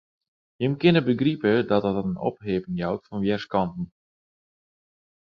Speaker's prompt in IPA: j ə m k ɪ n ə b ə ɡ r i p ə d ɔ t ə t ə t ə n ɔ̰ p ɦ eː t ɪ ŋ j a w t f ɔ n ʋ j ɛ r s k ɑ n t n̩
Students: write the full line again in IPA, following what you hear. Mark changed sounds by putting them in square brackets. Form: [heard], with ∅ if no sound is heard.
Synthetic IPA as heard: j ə m k ɪ n ə b ə ɡ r i p ə d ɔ t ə t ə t ə n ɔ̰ p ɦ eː [p] ɪ ŋ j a w t f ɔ n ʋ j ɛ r s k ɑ n t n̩